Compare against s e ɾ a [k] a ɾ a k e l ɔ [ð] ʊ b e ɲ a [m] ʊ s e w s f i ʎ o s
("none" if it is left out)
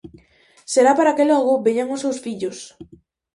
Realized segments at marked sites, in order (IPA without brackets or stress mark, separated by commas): p, ɣ, ŋ